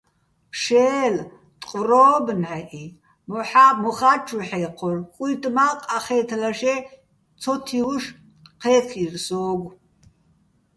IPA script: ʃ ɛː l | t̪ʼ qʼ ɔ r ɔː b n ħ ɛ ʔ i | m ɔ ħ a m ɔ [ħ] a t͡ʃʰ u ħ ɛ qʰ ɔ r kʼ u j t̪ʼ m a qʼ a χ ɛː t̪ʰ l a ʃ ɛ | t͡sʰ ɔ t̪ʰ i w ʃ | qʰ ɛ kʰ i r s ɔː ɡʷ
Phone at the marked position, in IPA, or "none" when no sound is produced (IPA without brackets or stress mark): χ